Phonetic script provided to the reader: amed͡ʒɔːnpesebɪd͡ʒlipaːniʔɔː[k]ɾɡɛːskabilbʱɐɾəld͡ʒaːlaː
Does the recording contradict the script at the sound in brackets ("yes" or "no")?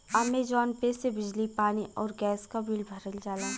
yes